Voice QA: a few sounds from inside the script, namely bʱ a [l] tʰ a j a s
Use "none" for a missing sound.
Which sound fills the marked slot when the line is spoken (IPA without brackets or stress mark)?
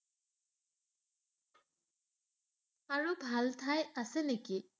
l